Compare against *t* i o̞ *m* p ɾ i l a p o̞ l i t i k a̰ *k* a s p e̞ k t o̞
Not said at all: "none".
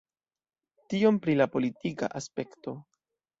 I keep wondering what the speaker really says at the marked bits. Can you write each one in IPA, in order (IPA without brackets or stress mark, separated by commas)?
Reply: t, m, ʔ